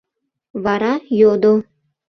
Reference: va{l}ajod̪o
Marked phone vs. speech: incorrect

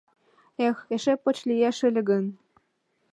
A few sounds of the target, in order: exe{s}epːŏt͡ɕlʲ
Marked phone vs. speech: incorrect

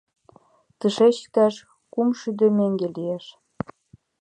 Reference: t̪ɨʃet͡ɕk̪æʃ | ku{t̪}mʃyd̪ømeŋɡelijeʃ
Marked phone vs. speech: incorrect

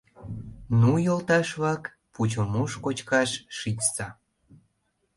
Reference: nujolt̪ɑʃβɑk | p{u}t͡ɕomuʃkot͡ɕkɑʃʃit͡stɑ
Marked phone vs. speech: correct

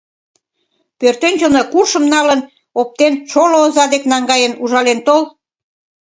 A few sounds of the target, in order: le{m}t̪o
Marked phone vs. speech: incorrect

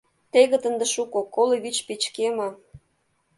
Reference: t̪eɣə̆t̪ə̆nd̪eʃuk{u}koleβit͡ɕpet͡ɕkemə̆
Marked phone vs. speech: incorrect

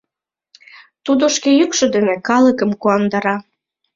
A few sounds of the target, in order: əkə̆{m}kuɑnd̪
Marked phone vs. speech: correct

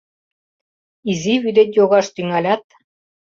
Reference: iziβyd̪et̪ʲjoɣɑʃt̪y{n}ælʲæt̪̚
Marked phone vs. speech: incorrect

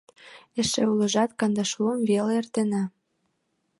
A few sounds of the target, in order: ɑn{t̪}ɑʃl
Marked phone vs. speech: incorrect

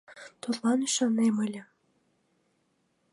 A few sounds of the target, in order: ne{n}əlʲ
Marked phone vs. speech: incorrect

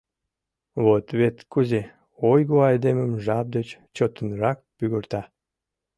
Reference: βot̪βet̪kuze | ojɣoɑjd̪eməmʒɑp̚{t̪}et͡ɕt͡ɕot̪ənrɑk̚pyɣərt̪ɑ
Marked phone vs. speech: incorrect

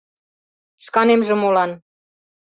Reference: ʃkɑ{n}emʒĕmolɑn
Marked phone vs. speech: correct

